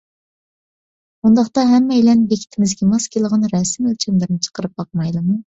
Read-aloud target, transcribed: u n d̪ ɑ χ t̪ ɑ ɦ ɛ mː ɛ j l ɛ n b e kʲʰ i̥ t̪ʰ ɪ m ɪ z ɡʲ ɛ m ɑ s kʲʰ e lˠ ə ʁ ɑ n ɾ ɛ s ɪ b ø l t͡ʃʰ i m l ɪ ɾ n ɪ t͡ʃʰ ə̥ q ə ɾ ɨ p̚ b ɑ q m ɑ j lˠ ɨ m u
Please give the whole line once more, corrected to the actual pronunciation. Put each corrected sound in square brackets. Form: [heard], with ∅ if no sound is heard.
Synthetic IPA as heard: u n d̪ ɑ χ t̪ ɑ ɦ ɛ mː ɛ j l ɛ n b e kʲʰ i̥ t̪ʰ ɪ m ɪ z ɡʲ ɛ m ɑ s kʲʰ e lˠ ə ʁ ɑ n ɾ ɛ s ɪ [m] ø l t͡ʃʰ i m l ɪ ɾ n ɪ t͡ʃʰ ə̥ q ə ɾ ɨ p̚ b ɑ q m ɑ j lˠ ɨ m u